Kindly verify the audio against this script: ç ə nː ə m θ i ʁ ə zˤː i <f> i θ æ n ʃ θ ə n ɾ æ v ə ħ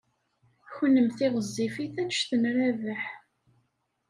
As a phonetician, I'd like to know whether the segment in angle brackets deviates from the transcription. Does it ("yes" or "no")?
no